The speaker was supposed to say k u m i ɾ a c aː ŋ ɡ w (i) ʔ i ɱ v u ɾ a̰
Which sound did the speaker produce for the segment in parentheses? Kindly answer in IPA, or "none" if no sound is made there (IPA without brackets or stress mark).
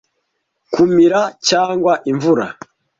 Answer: a